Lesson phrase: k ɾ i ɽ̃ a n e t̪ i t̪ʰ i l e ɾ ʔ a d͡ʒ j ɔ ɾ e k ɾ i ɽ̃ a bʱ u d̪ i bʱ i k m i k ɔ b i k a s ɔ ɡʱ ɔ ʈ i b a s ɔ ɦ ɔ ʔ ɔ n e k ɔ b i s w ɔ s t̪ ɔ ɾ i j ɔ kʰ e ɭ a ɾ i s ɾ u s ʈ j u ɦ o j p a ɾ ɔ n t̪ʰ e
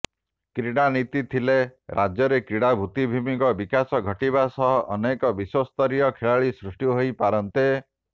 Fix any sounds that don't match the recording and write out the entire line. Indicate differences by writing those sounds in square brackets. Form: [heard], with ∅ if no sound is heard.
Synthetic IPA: k ɾ i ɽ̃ a n [i] t̪ i t̪ʰ i l e ɾ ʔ a d͡ʒ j ɔ ɾ e k ɾ i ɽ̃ a bʱ u [t̪] i bʱ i [∅] m i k ɔ b i k a s ɔ ɡʱ ɔ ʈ i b a s ɔ ɦ ɔ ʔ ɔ n e k ɔ b i s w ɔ s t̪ ɔ ɾ i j ɔ kʰ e ɭ a [ɭ] i s ɾ u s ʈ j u ɦ o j p a ɾ ɔ n [t̪] e

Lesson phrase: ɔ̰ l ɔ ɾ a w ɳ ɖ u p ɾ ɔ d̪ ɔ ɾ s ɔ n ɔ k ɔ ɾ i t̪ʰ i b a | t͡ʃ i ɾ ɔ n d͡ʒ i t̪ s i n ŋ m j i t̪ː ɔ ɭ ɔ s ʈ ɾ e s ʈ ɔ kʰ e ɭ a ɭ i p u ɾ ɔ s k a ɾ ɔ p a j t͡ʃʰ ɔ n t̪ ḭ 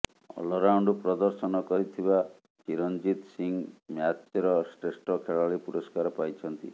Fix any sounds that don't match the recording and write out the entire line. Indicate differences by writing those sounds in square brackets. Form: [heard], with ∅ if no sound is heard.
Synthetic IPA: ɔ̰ l ɔ ɾ a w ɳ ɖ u p ɾ ɔ d̪ ɔ ɾ s ɔ n ɔ k ɔ ɾ i t̪ʰ i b a | t͡ʃ i ɾ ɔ n d͡ʒ i t̪ s i [∅] ŋ m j [a] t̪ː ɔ [ɾ] ɔ s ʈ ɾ e s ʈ ɔ kʰ e ɭ a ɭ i p u ɾ ɔ s k a ɾ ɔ p a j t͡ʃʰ ɔ n t̪ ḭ

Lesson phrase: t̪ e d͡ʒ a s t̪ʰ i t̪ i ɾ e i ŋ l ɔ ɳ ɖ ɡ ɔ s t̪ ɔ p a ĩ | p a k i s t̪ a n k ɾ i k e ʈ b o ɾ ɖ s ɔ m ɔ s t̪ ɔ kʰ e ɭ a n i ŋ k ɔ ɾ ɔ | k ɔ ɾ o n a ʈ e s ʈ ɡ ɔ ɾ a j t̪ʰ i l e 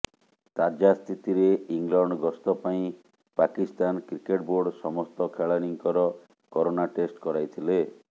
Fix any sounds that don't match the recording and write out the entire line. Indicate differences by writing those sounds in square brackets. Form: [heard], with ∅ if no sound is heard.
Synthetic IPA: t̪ [a] d͡ʒ a s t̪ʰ i t̪ i ɾ e i ŋ l ɔ ɳ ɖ ɡ ɔ s t̪ ɔ p a ĩ | p a k i s t̪ a n k ɾ i k e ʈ b o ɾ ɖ s ɔ m ɔ s t̪ ɔ kʰ e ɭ a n i ŋ k ɔ ɾ ɔ | k ɔ ɾ o n a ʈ e s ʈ [k] ɔ ɾ a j t̪ʰ i l e

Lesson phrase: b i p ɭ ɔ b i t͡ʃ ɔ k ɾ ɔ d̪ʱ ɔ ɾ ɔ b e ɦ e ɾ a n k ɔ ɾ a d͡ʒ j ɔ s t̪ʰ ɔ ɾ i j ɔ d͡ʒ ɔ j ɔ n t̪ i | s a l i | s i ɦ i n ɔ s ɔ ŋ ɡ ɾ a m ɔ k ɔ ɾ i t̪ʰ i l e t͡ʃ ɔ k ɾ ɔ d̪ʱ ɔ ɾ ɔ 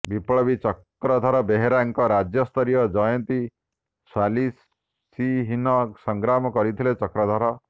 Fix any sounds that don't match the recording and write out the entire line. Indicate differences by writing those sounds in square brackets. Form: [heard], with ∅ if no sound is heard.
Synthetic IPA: b i p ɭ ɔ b i t͡ʃ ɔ k ɾ ɔ d̪ʱ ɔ ɾ ɔ b e ɦ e ɾ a [ŋ] k ɔ ɾ a d͡ʒ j ɔ s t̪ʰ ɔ ɾ i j ɔ d͡ʒ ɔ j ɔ n t̪ i | s a l i | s i ɦ i n ɔ s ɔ ŋ ɡ ɾ a m ɔ k ɔ ɾ i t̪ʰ i l e t͡ʃ ɔ k ɾ ɔ d̪ʱ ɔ ɾ ɔ

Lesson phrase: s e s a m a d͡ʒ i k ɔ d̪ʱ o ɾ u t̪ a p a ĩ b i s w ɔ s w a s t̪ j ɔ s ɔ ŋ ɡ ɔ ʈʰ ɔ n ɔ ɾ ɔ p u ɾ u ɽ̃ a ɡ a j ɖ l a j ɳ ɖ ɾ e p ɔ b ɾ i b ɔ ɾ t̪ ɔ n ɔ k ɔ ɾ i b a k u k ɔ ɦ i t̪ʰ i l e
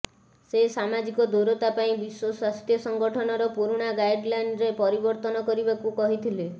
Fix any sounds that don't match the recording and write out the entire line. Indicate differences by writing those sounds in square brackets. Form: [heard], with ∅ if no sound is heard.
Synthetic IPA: s e s a m a d͡ʒ i k ɔ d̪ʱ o ɾ [ɔ] t̪ a p a ĩ b i s w ɔ s w a s t̪ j ɔ s ɔ ŋ ɡ ɔ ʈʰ ɔ n ɔ ɾ ɔ p u ɾ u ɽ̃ a ɡ a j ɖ l a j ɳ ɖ ɾ e p ɔ [∅] ɾ i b ɔ ɾ t̪ ɔ n ɔ k ɔ ɾ i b a k u k ɔ ɦ i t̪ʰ i l e

